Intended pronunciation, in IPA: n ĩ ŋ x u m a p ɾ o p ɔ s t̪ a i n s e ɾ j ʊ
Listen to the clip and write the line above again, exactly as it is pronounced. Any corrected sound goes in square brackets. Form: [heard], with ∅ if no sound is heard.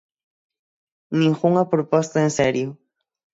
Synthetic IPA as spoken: n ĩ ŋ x u [ŋ] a p ɾ o p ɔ s t̪ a [e] n s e ɾ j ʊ